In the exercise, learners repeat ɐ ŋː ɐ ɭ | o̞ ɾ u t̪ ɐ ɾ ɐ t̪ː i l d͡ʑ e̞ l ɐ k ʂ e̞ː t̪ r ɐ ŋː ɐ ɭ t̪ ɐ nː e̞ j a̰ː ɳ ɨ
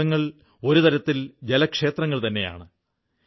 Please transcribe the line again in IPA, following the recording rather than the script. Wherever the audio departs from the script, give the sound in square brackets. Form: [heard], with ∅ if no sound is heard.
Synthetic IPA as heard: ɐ ŋː ɐ ɭ | o̞ ɾ u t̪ ɐ ɾ ɐ t̪ː i l d͡ʑ e̞ l ɐ k ʂ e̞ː t̪ r ɐ ŋː ɐ ɭ t̪ ɐ nː e̞ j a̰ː ɳ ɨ

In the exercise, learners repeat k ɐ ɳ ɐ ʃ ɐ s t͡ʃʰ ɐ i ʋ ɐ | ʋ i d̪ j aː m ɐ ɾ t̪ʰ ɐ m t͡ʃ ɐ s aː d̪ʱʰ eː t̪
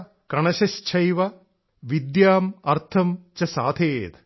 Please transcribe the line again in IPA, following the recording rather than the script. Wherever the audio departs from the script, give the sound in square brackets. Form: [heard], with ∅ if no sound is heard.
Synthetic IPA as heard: k ɐ ɳ ɐ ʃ ɐ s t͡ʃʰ ɐ [j] ʋ ɐ | ʋ i d̪ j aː m ɐ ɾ t̪ʰ ɐ m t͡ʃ ɐ s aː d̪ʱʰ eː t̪

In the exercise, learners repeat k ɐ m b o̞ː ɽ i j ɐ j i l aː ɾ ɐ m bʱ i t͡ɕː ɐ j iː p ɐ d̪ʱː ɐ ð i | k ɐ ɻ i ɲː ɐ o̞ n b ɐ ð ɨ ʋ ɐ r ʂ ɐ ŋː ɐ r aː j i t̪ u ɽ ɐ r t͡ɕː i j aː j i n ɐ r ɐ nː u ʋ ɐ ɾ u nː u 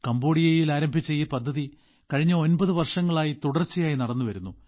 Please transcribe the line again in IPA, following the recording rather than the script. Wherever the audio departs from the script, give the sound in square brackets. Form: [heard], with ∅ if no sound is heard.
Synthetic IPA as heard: k ɐ m b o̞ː ɽ i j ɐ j i l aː ɾ ɐ m bʱ i t͡ɕː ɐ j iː p ɐ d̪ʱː ɐ ð i | k ɐ ɻ i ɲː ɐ o̞ n b ɐ ð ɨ ʋ ɐ r ʂ ɐ ŋː ɐ [ɭ] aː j i t̪ u ɽ ɐ r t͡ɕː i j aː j i n ɐ [ɽ] ɐ nː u ʋ ɐ ɾ u nː u

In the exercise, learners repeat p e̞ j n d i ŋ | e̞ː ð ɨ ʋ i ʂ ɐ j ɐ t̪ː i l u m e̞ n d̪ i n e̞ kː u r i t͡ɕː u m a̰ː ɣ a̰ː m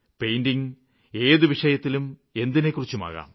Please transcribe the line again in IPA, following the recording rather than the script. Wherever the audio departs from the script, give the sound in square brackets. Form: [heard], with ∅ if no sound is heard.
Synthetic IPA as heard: p e̞ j n d i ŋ | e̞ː ð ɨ ʋ i ʂ ɐ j ɐ t̪ː i l u m e̞ n d̪ i n e̞ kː u r i t͡ɕː u m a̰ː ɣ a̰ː m

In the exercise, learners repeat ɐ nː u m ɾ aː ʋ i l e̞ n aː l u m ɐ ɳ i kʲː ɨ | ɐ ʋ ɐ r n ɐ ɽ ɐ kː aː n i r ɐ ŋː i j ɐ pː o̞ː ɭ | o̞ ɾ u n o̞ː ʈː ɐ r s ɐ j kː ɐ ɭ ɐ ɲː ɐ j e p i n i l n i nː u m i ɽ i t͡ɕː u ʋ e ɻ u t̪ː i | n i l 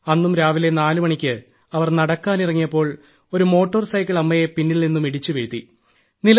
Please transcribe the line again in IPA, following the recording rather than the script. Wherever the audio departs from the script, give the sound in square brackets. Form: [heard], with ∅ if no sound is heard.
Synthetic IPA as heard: ɐ nː u m ɾ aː ʋ i l e̞ n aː l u m ɐ ɳ i kʲː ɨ | ɐ ʋ ɐ r n ɐ ɽ ɐ kː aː n i r ɐ ŋː i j ɐ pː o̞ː ɭ | o̞ ɾ u [m] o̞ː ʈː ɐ r s ɐ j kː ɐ ɭ ɐ [mː] ɐ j e p i [nː] i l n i nː u m i ɽ i t͡ɕː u ʋ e ɻ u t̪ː i | n i l

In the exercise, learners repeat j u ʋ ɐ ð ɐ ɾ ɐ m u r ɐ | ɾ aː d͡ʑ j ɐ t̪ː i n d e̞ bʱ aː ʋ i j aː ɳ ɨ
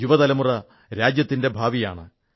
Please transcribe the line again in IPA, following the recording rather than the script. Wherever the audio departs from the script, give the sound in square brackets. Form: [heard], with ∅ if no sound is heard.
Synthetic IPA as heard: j u ʋ ɐ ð ɐ [l] ɐ m u r ɐ | ɾ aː d͡ʑ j ɐ t̪ː i n d e̞ bʱ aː ʋ i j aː ɳ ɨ

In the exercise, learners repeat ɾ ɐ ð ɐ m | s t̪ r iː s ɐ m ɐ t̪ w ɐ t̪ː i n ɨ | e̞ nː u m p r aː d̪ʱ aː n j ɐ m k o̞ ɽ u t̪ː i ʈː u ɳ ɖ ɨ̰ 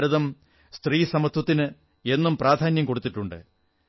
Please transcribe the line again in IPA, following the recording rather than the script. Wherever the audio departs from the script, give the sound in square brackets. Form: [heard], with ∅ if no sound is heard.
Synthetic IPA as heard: ɾ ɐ ð ɐ m | s t̪ r iː s ɐ m ɐ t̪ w ɐ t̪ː i n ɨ | e̞ nː u m p r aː d̪ʱ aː n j ɐ m k o̞ ɽ u t̪ː i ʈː u ɳ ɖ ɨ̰

